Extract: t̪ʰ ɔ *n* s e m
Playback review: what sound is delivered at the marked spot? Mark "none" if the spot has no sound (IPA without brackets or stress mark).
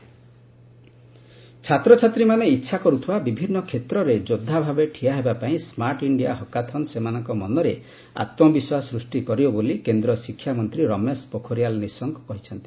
n